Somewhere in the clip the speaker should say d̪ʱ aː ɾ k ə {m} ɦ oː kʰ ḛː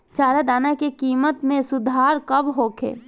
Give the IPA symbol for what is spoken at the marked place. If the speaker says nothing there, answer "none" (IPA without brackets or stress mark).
b